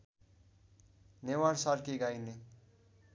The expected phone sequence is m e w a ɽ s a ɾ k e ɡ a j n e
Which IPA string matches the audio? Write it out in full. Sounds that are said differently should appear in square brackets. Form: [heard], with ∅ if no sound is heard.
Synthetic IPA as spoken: [n] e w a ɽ s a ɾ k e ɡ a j n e